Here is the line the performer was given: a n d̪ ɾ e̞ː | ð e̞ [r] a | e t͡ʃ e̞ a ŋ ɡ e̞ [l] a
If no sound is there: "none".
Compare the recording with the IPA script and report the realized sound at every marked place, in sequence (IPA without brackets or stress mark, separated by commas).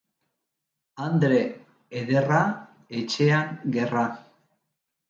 r, r